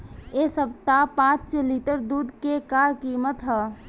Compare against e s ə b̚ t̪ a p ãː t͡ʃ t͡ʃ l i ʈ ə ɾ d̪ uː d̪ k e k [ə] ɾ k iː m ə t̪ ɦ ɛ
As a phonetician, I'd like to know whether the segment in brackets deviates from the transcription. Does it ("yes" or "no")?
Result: yes